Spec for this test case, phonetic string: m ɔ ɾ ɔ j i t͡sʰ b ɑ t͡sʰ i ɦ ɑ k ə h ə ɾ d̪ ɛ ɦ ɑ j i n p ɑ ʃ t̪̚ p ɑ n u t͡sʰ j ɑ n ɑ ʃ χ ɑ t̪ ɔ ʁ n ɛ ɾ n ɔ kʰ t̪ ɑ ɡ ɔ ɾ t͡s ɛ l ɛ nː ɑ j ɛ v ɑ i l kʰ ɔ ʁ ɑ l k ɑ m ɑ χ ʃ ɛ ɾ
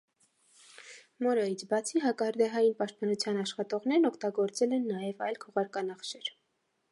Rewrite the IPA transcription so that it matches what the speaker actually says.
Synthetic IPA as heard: m ɔ ɾ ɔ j i t͡sʰ b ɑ t͡sʰ i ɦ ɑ k ɑ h ə ɾ d̪ ɛ ɦ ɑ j i n p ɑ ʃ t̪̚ p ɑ n u t͡sʰ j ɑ n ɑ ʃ χ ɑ t̪ ɔ ʁ n ɛ ɾ n ɔ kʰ t̪ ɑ ɡ ɔ ɾ t͡s ɛ l ɛ nː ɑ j ɛ v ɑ j l kʰ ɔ ʁ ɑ ɾ k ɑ n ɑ χ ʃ ɛ ɾ